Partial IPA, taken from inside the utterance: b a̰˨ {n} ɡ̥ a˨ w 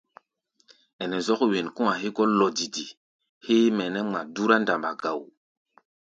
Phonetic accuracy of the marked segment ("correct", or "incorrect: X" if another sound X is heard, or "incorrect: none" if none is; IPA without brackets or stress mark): incorrect: none